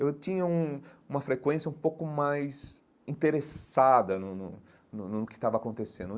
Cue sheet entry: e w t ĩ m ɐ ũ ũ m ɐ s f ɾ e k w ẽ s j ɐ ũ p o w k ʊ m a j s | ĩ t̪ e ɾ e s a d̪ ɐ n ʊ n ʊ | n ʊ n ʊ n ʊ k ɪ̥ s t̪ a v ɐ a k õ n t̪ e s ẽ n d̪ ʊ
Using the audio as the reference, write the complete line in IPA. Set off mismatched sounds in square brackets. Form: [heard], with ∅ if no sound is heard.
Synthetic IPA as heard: e w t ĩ [ɲ] ɐ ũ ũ m ɐ [∅] f ɾ e k w ẽ s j ɐ ũ p o w k ʊ m a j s | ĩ t̪ e ɾ e s a d̪ ɐ n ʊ n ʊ | n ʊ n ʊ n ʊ k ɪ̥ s t̪ a v ɐ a k õ n t̪ e s ẽ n d̪ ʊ